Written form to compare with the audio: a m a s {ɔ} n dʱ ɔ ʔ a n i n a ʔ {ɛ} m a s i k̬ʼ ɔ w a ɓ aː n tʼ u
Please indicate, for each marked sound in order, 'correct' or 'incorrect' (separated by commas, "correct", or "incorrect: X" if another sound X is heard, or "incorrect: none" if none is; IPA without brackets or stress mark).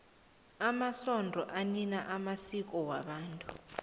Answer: correct, incorrect: a